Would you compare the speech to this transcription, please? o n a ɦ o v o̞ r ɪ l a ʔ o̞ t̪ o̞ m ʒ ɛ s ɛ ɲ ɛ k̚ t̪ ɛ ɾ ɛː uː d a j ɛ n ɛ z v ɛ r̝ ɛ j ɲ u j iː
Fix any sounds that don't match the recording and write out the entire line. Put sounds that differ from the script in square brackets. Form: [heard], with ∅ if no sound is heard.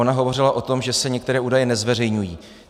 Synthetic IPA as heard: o n a ɦ o v o̞ r ɪ l a ʔ o̞ t̪ o̞ m ʒ ɛ s ɛ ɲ ɛ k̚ t̪ ɛ ɾ ɛː uː d a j ɛ n ɛ z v ɛ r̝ ɛ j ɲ u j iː